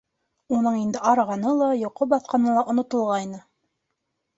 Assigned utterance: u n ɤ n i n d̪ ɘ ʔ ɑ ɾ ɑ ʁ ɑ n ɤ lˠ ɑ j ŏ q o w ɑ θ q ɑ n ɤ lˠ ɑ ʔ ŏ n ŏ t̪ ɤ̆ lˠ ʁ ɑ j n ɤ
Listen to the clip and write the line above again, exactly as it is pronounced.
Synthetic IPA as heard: u n ɤ ɴ i n d̪ ɘ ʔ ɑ ɾ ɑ ʁ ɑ n ɤ lˠ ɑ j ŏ q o b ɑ θ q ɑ n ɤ lˠ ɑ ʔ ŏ n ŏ t̪ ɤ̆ lˠ ʁ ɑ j n ɤ